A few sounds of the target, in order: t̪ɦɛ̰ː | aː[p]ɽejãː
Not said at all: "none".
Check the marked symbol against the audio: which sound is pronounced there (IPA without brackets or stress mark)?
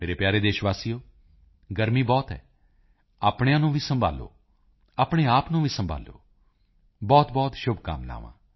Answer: p